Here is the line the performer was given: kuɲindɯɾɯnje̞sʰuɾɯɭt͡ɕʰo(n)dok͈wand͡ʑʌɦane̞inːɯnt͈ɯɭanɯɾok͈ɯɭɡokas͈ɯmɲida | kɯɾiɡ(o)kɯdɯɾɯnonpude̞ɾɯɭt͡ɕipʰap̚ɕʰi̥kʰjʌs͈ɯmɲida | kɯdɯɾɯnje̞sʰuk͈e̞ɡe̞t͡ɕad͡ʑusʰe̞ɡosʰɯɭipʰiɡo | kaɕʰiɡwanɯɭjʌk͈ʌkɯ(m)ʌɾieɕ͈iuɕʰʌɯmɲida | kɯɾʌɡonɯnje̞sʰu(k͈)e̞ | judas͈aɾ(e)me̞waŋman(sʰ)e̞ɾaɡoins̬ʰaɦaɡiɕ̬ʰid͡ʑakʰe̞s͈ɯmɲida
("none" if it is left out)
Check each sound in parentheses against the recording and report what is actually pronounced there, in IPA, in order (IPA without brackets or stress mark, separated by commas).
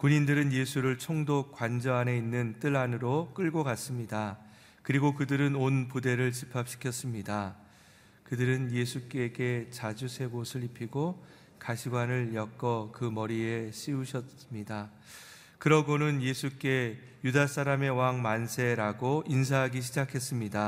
ŋ, o, m, k͈, a, sʰ